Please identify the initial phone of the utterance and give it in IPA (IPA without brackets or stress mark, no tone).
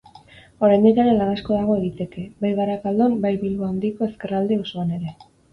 o̞